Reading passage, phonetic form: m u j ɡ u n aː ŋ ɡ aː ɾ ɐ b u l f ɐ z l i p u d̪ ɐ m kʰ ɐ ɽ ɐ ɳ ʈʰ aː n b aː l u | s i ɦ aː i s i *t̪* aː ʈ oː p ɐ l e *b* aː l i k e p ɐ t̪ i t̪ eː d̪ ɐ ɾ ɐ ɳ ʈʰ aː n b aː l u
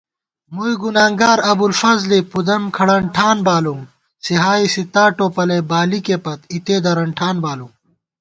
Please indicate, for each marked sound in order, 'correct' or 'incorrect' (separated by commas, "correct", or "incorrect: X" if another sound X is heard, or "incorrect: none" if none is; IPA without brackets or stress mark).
correct, correct